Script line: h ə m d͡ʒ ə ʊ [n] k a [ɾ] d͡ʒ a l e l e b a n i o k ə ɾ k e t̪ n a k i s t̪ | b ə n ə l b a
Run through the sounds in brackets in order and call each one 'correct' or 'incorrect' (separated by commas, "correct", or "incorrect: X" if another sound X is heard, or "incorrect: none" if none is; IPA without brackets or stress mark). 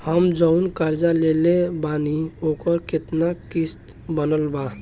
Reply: correct, correct